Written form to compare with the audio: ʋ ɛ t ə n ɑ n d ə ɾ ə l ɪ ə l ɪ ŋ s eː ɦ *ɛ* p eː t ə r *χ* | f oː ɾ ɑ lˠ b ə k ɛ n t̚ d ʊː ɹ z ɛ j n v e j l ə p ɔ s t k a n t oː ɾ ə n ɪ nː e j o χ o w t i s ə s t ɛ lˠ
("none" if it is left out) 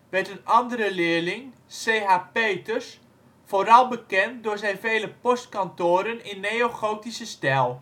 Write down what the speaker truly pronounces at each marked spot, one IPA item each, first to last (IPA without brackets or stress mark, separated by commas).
a, s